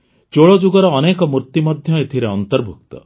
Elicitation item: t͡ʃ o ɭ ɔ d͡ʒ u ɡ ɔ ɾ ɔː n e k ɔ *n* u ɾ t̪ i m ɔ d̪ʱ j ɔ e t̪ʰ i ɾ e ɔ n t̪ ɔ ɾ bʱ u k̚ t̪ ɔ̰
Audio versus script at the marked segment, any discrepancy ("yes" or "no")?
yes